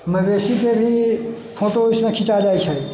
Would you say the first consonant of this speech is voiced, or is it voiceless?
voiced